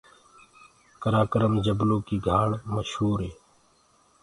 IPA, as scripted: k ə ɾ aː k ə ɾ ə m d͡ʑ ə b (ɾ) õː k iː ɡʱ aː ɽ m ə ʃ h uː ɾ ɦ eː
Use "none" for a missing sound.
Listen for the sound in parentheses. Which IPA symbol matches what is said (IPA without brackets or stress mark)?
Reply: l